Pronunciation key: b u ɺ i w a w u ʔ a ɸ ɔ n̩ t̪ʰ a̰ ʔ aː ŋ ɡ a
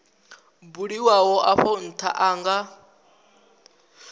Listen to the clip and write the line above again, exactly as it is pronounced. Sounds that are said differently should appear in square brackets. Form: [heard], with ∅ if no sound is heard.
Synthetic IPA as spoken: b u ɺ i w a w [ɔ] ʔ a ɸ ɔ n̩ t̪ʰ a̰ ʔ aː ŋ ɡ a